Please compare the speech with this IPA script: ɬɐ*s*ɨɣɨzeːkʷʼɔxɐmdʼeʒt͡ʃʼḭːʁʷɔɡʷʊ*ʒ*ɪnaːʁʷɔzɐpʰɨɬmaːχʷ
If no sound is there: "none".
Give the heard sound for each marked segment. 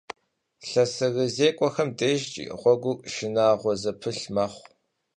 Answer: s, ʃ

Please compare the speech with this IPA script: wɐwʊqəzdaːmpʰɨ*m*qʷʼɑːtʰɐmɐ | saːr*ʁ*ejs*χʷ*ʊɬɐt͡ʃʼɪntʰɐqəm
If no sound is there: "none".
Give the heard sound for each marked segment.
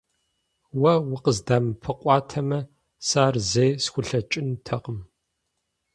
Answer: none, z, xʷ

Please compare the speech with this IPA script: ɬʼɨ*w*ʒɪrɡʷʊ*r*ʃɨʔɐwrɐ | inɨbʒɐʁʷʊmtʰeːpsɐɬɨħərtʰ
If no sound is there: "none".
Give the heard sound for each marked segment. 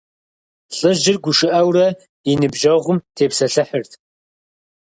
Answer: none, none

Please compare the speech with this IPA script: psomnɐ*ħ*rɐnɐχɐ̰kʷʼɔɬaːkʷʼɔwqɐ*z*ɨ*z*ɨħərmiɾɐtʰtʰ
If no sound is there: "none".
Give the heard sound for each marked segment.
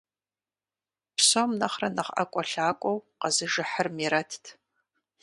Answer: χ, z, ʒ

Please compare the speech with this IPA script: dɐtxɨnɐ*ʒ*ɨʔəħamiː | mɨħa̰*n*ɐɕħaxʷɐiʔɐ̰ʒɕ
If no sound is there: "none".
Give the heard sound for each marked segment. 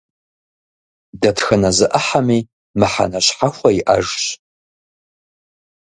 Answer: z, n

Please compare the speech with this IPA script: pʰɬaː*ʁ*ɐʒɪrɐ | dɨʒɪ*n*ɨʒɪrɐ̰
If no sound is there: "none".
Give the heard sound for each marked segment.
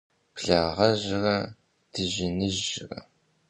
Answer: ʁ, n

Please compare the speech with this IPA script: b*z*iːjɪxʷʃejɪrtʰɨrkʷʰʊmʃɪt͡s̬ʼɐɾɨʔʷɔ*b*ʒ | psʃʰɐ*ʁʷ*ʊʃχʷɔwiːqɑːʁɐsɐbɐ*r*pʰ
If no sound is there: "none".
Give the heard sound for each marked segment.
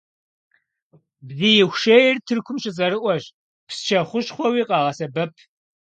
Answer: z, none, χʷ, none

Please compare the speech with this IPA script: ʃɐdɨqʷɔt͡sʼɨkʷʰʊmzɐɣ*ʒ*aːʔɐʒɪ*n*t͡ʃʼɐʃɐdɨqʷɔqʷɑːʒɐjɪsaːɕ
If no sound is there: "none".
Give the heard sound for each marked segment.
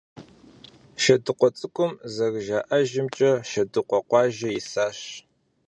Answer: ʒ, m

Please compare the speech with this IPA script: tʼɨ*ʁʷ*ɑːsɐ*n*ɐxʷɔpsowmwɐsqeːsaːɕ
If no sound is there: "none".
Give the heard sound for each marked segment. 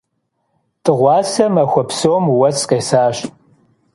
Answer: ʁʷ, m

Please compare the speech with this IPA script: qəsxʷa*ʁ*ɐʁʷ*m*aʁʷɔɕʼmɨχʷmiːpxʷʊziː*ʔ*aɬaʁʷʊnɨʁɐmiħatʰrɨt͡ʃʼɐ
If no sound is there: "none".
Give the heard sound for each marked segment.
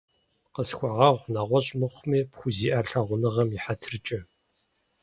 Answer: ʁ, n, ʔ

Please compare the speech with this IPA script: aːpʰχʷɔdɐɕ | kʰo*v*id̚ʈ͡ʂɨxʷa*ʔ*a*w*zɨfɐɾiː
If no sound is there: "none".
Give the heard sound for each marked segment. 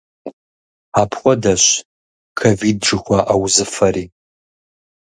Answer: v, ʔ, w

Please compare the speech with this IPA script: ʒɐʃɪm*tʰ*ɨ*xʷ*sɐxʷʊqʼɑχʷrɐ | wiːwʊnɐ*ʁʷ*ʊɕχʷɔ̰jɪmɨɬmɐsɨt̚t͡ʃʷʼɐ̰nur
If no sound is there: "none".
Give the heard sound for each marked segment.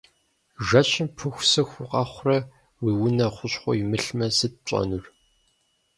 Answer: pʰ, xʷ, χʷ

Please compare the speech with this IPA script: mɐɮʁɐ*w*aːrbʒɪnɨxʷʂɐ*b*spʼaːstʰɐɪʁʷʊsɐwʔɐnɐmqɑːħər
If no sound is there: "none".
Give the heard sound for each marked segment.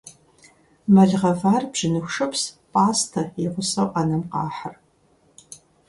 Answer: v, p

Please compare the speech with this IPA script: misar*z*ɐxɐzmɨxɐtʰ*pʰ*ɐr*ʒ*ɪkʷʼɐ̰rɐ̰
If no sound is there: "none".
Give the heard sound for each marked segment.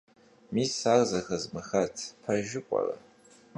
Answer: z, pʰ, ʒ

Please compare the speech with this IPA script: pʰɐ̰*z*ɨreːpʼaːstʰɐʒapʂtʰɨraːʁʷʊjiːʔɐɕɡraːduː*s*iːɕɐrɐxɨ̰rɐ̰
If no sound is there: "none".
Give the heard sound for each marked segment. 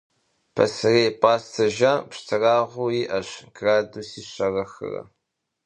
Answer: s, s

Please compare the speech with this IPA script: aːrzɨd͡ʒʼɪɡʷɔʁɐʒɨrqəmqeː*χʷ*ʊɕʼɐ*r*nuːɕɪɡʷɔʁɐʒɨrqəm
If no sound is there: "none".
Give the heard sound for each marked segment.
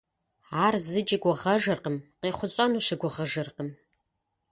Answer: χʷ, none

